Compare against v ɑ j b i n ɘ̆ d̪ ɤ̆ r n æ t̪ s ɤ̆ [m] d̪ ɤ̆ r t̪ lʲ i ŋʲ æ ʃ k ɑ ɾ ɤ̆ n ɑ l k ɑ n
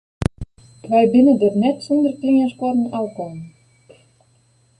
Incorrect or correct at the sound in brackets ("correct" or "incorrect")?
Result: incorrect